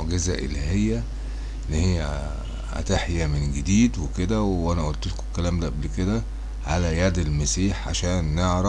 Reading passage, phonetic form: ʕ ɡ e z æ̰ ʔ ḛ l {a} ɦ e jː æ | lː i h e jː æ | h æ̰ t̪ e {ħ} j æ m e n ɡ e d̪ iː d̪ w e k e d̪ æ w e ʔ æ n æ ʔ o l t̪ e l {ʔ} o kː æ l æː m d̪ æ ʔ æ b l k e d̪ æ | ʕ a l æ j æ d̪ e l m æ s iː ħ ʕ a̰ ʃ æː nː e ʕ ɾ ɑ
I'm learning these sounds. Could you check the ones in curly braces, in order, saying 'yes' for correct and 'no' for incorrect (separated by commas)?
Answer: no, yes, no